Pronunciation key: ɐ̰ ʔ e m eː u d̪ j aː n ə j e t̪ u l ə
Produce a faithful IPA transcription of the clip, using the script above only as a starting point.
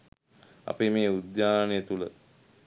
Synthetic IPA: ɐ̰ p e m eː u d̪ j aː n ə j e t̪ u l ə